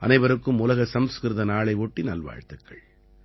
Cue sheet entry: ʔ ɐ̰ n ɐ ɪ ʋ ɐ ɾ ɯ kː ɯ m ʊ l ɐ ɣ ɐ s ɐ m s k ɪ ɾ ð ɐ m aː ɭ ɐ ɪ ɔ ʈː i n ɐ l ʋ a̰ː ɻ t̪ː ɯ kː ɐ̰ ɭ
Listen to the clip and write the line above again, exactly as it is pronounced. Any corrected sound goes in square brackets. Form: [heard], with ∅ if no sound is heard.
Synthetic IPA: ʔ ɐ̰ n ɐ ɪ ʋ ɐ ɾ ɯ kː ɯ m ʊ l ɐ ɣ ɐ s ɐ m s k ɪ ɾ ð ɐ [n] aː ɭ ɐ ɪ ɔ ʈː i n ɐ l ʋ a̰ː ɻ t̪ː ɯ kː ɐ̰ ɭ